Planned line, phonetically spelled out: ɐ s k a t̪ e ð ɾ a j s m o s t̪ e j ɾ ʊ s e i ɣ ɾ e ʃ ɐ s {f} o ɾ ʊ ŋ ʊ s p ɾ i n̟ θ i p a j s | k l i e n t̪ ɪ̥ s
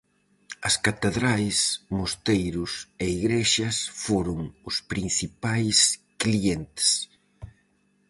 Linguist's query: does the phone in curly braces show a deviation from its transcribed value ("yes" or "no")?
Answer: no